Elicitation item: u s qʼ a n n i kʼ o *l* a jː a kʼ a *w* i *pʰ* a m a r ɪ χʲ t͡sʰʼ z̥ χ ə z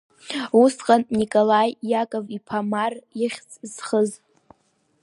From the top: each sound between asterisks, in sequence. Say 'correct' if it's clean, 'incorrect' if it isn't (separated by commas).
correct, incorrect, correct